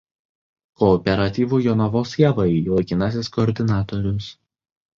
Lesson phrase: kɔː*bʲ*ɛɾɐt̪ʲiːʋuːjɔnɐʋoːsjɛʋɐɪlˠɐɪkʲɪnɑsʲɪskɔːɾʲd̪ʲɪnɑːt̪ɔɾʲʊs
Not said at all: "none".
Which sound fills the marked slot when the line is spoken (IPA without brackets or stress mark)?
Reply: pʲ